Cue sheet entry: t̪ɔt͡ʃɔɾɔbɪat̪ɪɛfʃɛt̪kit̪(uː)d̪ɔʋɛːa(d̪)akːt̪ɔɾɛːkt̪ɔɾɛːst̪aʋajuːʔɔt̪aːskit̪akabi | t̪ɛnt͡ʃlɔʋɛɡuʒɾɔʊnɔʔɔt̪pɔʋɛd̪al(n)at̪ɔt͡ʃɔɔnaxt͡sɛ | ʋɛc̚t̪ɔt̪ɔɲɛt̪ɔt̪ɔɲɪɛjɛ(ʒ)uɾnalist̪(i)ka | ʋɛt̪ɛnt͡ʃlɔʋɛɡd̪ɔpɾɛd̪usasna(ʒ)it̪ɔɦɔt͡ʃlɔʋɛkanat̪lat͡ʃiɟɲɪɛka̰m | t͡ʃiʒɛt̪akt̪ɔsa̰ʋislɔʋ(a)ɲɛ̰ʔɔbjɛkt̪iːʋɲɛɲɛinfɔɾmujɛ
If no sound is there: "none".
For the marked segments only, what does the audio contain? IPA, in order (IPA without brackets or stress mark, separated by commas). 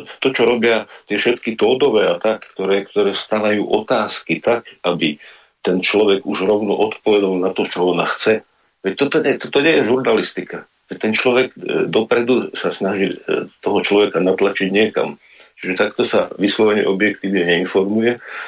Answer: ɔː, t̪, n, ʒ, i, ʒ, ɛ